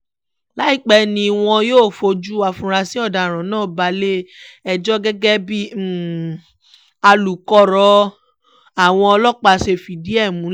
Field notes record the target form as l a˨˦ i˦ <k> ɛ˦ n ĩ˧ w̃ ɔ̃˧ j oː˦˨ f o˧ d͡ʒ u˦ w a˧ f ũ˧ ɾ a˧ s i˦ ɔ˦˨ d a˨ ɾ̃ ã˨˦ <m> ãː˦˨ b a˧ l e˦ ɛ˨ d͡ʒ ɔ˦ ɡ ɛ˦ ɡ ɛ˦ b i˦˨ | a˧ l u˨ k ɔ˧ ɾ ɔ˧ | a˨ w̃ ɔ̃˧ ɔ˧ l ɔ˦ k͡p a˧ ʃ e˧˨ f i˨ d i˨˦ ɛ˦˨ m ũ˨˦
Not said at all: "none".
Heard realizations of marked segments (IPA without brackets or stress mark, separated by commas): k͡p, n